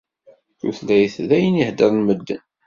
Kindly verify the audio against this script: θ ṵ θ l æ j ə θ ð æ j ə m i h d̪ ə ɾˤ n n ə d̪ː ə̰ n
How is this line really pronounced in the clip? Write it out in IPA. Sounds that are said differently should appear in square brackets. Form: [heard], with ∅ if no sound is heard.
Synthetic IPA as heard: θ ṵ θ l æ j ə θ ð æ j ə [n] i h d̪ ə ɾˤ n [m] ə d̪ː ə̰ n

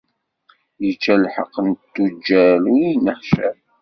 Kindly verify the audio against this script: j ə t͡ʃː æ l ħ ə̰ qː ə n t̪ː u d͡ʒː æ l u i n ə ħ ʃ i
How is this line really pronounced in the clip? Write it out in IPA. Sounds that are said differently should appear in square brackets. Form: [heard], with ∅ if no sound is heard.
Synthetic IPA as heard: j ə t͡ʃː æ l ħ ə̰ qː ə n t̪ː u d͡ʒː æ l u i n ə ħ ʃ [æ]

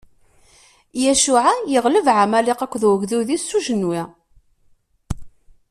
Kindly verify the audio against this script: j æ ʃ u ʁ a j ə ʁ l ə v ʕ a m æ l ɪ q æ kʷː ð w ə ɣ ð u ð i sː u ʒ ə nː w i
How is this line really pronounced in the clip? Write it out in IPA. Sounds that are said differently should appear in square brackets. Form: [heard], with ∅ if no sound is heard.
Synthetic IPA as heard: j æ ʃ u [ʕ] a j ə ʁ l ə v ʕ a m æ l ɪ q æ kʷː ð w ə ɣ ð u ð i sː u ʒ ə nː w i

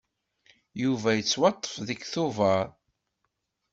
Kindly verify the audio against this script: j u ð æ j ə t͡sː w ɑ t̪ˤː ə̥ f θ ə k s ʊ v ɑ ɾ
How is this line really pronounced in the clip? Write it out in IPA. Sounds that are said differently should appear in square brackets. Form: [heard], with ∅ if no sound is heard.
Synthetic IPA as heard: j u [v] æ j ə t͡sː w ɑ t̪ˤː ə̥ f [ð] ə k [θ] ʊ v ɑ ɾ

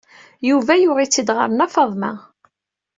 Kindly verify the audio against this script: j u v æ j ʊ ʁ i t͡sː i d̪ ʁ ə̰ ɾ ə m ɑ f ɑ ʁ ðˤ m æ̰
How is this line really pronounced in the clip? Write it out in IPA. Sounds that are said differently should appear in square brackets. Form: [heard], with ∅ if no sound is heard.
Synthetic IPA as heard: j u v æ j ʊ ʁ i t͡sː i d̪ ʁ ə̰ ɾ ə [n] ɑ f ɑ [∅] ðˤ m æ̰

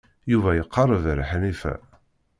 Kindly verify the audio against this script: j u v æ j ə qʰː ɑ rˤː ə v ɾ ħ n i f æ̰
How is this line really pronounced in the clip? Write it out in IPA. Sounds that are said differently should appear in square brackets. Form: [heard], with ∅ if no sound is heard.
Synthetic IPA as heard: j u v æ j ə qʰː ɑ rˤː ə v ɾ ħ n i f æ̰

